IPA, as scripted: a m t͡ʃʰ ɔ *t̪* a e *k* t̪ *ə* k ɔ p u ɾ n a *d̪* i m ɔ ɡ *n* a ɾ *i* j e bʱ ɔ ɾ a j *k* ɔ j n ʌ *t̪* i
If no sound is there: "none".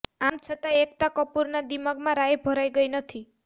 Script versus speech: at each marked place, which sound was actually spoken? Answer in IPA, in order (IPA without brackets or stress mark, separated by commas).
t̪, k, a, d̪, m, a, ɡ, t̪ʰ